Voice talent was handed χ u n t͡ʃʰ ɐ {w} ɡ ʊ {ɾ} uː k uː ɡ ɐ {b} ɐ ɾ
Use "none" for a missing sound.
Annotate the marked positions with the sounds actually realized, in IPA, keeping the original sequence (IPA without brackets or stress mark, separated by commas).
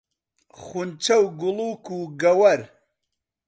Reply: w, l, w